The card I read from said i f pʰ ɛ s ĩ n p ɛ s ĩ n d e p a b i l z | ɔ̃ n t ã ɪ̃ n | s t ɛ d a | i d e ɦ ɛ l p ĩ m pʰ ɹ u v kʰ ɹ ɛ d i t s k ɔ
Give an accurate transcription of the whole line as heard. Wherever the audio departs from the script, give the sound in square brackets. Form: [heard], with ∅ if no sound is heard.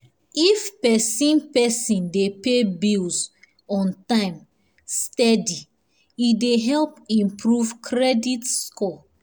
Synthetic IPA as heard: i f [p] ɛ s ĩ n p ɛ s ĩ n d e p [e] b i l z | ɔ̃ n t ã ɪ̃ [m] | s t ɛ d [i] | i d e ɦ ɛ l p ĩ m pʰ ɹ u v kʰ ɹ ɛ d i t s k ɔ